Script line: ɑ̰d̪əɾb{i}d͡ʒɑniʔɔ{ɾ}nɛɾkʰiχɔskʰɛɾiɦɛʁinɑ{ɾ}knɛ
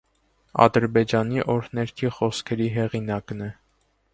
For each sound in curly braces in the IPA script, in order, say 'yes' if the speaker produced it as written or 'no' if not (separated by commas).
no, yes, no